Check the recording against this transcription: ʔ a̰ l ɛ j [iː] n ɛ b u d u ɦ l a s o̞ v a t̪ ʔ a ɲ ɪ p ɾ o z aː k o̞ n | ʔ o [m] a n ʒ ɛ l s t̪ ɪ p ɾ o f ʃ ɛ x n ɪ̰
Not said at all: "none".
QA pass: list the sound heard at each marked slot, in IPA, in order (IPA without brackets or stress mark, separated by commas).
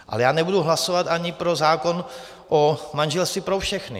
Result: aː, m